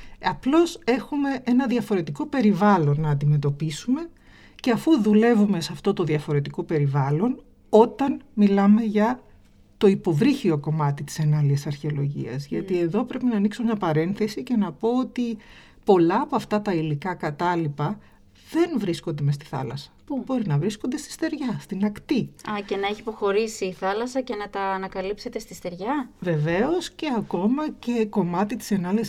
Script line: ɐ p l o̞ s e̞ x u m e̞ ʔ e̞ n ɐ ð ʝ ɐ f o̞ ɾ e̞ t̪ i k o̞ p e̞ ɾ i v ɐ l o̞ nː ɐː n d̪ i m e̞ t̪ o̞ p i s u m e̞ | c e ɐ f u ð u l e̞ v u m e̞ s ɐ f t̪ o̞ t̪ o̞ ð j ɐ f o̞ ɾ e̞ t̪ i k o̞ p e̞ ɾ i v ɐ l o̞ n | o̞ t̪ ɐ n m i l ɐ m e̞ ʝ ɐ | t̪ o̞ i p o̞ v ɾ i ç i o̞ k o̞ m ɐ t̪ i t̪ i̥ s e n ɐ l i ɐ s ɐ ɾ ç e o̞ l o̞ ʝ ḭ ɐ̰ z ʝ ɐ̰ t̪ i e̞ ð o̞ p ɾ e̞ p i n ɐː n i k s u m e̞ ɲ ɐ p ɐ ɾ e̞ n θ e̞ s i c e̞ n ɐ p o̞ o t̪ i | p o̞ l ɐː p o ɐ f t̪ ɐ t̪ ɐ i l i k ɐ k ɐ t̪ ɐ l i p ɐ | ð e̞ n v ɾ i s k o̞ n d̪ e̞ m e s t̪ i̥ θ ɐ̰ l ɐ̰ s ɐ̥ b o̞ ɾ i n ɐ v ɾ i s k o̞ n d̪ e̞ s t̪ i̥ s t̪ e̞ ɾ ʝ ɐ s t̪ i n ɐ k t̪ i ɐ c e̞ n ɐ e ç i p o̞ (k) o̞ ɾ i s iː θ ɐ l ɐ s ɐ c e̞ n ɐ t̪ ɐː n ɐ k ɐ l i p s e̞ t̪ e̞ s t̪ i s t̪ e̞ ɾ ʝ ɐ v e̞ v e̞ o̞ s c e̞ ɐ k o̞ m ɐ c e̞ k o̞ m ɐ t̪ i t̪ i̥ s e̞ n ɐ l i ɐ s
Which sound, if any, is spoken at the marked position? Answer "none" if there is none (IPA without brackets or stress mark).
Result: x